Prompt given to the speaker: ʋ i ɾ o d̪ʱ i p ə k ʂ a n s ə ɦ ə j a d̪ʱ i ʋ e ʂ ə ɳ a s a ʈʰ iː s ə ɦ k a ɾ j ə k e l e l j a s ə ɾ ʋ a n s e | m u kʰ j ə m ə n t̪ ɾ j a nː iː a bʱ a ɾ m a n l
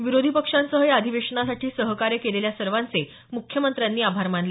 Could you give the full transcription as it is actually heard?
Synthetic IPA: ʋ i ɾ o d̪ʱ i p ə k ʂ a n s ə ɦ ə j a d̪ʱ i ʋ e ʂ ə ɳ a s a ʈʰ iː s ə ɦ k a ɾ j ə k e l e l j a s ə ɾ ʋ a n t͡s e | m u kʰ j ə m ə n t̪ ɾ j a nː iː a bʱ a ɾ m a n l